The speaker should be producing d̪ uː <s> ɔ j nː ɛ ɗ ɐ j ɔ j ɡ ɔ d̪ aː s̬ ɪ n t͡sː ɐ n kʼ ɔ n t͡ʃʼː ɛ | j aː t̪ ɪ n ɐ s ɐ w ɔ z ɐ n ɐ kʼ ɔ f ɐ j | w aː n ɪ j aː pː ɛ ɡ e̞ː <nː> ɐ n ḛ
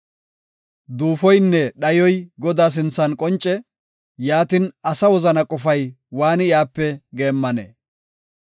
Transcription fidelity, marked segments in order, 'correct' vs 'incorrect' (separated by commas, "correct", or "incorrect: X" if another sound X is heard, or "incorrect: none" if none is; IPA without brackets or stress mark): incorrect: f, incorrect: mː